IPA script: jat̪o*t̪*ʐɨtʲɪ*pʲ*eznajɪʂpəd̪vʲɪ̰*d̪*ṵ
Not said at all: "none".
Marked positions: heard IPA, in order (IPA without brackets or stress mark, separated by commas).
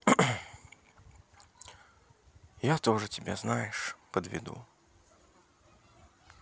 none, bʲ, d̪